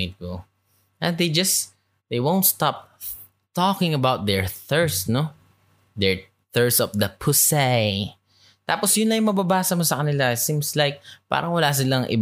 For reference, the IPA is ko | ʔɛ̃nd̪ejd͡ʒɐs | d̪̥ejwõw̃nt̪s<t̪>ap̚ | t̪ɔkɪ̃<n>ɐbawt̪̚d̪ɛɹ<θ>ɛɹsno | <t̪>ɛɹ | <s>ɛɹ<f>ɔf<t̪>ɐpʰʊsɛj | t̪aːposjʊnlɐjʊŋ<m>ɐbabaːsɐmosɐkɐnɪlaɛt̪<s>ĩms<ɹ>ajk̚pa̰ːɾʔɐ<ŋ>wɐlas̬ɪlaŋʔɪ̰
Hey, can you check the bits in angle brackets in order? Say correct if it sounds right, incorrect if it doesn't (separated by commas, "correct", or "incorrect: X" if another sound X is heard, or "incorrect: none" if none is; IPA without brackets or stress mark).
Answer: correct, incorrect: ŋ, correct, incorrect: d̪, incorrect: θ, incorrect: s, incorrect: d̪, correct, correct, incorrect: l, correct